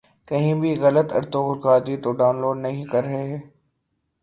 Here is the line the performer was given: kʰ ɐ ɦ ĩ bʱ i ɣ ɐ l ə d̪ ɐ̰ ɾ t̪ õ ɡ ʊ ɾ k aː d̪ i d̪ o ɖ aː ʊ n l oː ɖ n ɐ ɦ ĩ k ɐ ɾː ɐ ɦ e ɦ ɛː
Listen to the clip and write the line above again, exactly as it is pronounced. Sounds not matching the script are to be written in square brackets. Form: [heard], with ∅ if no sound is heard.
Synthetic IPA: [k] ɐ ɦ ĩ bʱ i ɣ ɐ l ə [t̪] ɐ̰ ɾ t̪ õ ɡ ʊ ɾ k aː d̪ i [t̪] o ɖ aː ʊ n l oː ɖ n ɐ ɦ ĩ k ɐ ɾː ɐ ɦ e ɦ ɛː